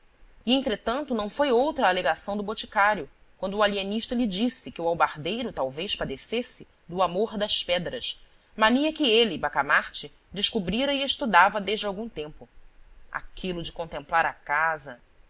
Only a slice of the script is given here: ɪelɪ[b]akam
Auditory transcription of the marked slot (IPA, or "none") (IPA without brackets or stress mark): b